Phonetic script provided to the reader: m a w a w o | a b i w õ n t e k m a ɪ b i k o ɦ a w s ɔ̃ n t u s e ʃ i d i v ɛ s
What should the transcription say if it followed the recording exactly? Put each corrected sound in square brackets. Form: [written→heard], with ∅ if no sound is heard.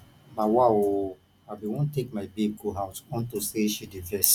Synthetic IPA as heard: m a w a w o | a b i w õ n t e k m a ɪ b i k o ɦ a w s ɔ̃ n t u s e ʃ i d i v ɛ s